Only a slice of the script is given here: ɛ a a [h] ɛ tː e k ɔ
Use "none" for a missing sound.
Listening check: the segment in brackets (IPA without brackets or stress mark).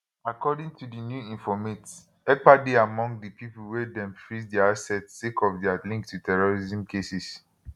s